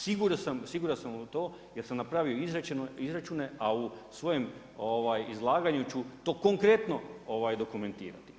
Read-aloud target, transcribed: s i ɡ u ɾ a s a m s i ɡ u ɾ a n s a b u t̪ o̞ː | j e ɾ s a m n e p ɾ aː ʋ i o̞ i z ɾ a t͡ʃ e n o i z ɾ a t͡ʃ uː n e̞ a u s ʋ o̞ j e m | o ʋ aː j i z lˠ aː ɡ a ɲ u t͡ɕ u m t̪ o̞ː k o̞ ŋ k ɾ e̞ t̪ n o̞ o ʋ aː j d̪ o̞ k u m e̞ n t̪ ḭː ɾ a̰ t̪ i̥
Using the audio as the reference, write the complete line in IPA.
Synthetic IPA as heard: s i ɡ u ɾ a s a m s i ɡ u ɾ a n s a m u t̪ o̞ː | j e ɾ s a m n a p ɾ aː ʋ i o̞ i z ɾ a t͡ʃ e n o i z ɾ a t͡ʃ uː n e̞ a u s ʋ o̞ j e m | o ʋ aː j i z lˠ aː ɡ a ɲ u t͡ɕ u t̪ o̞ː k o̞ ŋ k ɾ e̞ t̪ n o̞ o ʋ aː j d̪ o̞ k u m e̞ n t̪ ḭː ɾ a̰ t̪ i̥